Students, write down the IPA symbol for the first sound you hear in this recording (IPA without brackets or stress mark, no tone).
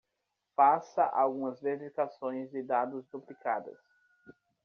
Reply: f